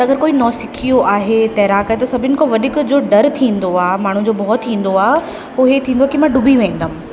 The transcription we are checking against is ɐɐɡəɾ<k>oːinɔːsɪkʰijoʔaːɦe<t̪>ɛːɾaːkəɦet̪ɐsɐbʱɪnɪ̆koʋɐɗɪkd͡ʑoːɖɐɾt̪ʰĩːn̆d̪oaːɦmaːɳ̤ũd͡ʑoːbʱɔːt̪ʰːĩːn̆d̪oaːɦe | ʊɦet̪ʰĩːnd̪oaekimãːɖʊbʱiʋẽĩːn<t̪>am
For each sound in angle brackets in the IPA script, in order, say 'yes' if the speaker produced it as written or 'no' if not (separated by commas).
yes, yes, no